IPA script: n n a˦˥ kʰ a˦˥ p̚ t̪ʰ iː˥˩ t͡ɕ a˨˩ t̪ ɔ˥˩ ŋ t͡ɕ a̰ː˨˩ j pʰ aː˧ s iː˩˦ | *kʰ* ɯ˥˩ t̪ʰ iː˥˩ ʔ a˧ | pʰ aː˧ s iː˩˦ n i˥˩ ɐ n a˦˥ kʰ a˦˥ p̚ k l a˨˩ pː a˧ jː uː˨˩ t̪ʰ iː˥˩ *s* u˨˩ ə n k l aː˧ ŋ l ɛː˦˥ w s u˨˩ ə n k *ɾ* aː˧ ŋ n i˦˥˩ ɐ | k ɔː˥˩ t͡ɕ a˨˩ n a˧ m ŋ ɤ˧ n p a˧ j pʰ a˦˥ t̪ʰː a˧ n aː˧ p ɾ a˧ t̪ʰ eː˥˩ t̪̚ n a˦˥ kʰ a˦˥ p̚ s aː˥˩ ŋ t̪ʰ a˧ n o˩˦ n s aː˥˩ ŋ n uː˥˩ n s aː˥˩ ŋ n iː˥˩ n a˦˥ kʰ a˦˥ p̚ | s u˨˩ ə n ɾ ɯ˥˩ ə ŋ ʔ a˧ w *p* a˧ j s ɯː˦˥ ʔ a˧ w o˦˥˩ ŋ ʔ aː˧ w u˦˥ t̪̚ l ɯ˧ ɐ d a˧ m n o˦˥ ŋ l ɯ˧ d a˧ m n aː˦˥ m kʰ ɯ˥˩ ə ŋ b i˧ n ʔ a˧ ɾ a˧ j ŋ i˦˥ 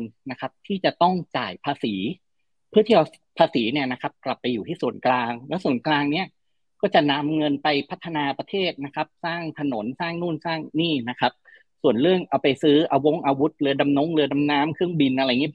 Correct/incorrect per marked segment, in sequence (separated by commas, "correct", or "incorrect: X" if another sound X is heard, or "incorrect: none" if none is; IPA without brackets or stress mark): incorrect: pʰ, correct, incorrect: l, correct